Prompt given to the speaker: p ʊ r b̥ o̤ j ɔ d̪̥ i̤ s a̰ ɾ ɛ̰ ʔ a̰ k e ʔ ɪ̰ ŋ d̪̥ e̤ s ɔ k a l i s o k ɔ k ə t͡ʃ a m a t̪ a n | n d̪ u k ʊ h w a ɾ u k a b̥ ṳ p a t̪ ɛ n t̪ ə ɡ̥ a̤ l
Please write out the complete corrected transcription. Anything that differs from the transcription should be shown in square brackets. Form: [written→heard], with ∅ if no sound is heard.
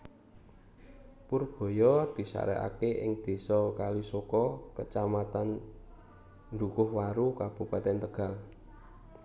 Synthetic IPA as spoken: p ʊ r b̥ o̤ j ɔ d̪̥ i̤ s a̰ ɾ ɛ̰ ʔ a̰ k e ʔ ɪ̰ ŋ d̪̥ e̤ s ɔ k a l i s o k ɔ k ə t͡ʃ a m a t̪ a n | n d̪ u k ʊ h w a ɾ u k a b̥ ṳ p a t̪ ɛ n t̪ ə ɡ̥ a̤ l